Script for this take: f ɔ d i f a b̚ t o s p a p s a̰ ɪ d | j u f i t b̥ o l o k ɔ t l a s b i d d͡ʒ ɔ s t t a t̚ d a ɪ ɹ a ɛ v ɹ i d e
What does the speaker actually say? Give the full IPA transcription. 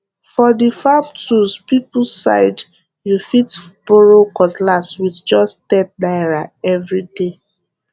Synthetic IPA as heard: f ɔ d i f a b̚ t u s p i p s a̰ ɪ d | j u f i t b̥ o ɹ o k ɔ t l a s w i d d͡ʒ ɔ s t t ɛ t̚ d a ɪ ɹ a ɛ v ɹ i d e

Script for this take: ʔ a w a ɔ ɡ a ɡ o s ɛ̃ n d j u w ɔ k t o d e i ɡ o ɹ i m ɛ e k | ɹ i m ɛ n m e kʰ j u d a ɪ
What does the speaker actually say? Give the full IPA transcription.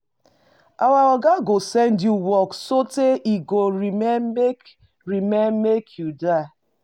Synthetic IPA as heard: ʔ a w a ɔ ɡ a ɡ o s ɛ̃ n d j u w ɔ k s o t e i ɡ o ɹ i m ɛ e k | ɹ i m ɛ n m e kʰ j u d a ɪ

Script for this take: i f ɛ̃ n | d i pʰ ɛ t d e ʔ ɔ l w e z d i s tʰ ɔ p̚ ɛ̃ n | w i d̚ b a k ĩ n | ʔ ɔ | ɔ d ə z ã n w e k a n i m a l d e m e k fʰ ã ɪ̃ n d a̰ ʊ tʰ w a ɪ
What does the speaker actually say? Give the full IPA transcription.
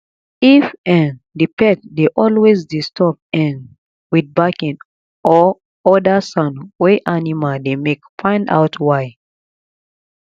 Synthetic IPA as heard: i f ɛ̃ n | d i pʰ ɛ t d e ʔ ɔ l w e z d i s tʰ ɔ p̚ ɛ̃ n | w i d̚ b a k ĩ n | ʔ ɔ | ɔ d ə s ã n w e ʔ a n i m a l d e m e k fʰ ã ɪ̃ n d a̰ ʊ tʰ w a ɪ

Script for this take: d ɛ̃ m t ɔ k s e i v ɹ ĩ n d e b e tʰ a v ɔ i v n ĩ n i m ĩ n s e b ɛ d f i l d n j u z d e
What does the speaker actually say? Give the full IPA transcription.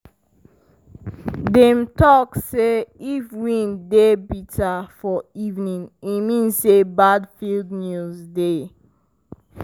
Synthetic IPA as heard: d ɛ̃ m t ɔ k s e i f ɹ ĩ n d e b i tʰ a f ɔ i v n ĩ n i m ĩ n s e b a d f i l d n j u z d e

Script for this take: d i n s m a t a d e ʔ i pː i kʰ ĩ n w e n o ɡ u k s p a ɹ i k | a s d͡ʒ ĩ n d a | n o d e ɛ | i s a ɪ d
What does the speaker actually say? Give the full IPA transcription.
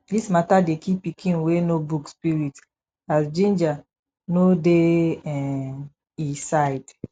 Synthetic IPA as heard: d i s m a t a d e k i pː i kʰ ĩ n w e n o b u k s p i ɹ i t | a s d͡ʒ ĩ n d͡ʒ a | n o d e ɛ | i s a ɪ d

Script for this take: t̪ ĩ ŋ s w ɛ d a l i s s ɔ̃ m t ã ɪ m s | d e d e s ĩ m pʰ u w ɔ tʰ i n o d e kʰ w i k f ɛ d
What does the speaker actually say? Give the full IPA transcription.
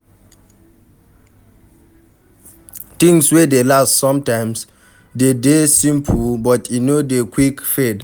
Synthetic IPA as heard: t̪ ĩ ŋ s w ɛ d e l a s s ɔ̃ m t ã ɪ m s | d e d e s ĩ m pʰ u b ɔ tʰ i n o d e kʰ w i k f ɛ d

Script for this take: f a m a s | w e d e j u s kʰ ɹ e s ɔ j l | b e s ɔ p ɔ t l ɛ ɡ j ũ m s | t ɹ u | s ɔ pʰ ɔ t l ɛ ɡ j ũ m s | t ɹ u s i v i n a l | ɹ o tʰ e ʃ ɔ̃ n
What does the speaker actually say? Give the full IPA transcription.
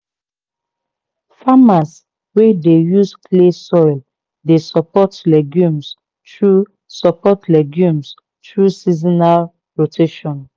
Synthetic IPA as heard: f a m a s | w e d e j u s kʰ l e s ɔ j l | d e s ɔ p ɔ t l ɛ ɡ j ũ m s | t ɹ u | s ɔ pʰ ɔ t l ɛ ɡ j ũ m s | t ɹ u s i z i n a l | ɹ o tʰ e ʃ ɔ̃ n

